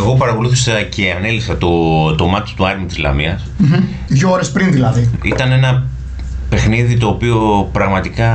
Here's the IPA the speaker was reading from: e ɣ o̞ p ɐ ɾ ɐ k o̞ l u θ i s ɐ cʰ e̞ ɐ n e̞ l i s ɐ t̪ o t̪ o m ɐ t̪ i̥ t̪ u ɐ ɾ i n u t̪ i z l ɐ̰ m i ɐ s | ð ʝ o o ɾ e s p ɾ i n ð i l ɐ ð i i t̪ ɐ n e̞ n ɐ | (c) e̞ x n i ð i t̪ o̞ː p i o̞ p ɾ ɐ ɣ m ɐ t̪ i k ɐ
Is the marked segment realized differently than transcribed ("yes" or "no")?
yes